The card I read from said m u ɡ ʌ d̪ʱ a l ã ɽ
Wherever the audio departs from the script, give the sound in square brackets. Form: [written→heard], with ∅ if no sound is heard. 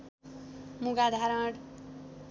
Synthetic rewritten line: m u ɡ [ʌ→a] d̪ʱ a [l→ɾ] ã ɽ

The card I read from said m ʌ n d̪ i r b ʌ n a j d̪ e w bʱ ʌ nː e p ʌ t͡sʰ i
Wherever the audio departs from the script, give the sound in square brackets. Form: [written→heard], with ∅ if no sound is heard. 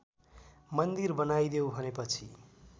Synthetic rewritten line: m ʌ n d̪ i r b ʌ n a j d̪ e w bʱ ʌ [nː→n] e p ʌ t͡sʰ i

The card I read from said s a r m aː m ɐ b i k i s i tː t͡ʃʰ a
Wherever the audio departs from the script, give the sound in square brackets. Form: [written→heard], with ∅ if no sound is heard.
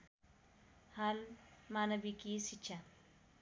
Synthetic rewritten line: [s→h] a [r→l] m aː [m→n] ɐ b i k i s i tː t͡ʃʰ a

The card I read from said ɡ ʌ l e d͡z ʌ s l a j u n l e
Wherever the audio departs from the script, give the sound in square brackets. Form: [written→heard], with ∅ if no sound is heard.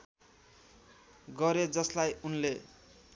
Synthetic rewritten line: ɡ ʌ [l→ɾ] e d͡z ʌ s l a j u n l e

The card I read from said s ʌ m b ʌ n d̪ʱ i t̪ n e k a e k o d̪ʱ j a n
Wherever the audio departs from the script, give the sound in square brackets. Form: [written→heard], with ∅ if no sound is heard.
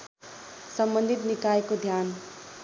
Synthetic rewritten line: s ʌ m b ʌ n d̪ʱ i t̪ n [e→i] k a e k o d̪ʱ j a n

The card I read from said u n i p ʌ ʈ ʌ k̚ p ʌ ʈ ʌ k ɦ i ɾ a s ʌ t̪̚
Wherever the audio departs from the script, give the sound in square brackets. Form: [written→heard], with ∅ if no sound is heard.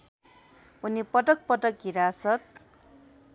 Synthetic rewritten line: u n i p ʌ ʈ ʌ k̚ p ʌ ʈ ʌ k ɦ i ɾ a s ʌ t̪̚

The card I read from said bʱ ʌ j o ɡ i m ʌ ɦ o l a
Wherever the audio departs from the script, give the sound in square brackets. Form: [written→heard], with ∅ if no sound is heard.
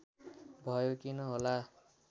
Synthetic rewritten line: bʱ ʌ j o [ɡ→k] i [m→n] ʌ ɦ o l a

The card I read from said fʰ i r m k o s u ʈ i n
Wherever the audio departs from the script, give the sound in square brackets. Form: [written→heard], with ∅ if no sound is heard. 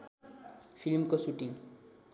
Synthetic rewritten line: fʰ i [r→l] m k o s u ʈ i [n→ŋ]

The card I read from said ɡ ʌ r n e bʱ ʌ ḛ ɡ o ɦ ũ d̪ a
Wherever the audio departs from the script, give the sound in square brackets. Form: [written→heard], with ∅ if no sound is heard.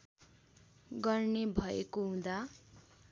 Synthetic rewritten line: ɡ ʌ r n e bʱ ʌ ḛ [ɡ→k] o ɦ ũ d̪ a

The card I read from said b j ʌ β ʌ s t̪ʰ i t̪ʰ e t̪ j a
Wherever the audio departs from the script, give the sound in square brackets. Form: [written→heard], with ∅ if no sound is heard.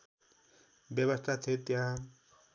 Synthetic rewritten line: b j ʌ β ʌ s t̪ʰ [i→a] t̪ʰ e t̪ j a

